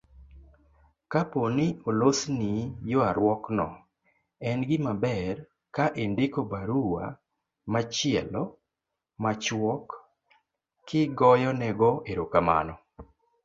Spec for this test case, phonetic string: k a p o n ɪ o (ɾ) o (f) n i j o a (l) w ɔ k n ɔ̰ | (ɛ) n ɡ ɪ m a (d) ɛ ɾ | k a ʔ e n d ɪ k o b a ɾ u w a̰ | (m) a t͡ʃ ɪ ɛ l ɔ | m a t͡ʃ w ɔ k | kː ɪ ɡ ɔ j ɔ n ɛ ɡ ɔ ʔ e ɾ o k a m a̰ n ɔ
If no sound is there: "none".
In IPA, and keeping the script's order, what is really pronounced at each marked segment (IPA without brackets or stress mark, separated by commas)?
l, s, ɾ, ɛ, b, m